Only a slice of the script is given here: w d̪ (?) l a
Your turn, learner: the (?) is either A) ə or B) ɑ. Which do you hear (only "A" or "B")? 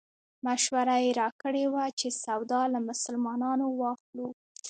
B